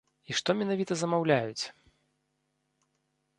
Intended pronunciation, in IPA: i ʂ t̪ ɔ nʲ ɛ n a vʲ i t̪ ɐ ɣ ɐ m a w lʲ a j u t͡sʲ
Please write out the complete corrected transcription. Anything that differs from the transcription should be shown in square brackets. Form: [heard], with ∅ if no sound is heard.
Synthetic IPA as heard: i ʂ t̪ ɔ [mʲ] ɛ n a vʲ i t̪ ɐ [z] ɐ m a w lʲ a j u t͡sʲ